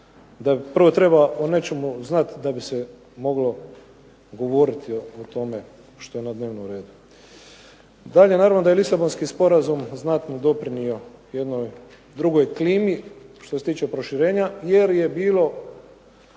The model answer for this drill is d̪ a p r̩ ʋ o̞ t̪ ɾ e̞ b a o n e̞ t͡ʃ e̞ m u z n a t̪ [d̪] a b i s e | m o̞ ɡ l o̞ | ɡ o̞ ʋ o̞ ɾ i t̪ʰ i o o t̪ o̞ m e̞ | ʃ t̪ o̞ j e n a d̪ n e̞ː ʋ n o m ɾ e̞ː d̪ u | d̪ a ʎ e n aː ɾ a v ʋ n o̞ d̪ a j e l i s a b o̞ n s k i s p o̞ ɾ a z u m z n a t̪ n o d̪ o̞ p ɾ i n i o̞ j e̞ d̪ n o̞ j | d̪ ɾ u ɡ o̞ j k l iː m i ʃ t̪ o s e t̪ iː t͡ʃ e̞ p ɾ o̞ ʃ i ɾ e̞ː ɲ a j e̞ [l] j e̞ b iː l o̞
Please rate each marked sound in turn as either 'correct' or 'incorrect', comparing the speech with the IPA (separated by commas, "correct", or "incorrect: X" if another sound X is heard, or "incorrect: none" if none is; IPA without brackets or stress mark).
correct, incorrect: ɾ